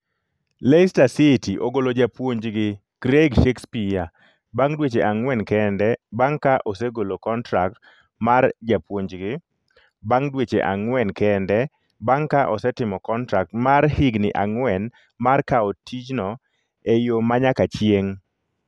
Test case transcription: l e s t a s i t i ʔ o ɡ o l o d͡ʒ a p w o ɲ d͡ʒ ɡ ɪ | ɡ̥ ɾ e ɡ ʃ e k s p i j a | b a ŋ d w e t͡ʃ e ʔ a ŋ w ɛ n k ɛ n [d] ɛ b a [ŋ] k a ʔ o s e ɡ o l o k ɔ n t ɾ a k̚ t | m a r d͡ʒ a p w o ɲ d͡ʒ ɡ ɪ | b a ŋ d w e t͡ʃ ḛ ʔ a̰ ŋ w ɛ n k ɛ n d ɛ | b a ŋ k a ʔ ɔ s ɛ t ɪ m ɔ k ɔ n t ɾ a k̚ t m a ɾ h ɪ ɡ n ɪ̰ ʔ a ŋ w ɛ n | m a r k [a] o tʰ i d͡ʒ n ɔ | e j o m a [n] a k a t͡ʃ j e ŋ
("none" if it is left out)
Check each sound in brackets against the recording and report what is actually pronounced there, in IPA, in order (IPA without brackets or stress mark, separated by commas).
d, ŋ, a, ɲ